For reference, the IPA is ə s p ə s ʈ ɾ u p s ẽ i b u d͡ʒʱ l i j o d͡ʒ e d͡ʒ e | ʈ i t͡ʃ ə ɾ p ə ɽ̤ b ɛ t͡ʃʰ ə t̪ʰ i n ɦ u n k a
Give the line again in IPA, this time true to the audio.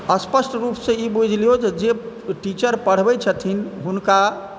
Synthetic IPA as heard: ə s p ə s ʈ ɾ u p s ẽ i b u d͡ʒʱ l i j o d͡ʒ e d͡ʒ e | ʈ i t͡ʃ ə ɾ p ə ɽ̤ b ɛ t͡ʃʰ ə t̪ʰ i n ɦ u n k a